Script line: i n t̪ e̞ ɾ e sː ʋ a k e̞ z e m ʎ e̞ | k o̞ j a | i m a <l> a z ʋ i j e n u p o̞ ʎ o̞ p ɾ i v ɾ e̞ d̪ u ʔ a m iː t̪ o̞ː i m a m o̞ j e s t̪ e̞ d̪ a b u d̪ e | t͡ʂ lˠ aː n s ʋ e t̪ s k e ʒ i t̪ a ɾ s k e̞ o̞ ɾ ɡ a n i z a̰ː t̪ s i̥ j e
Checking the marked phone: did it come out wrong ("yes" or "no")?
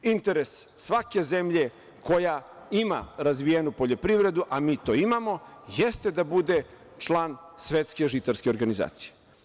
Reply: yes